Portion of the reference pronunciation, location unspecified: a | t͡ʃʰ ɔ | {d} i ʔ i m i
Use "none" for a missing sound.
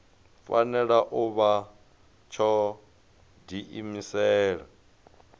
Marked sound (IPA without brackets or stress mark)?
d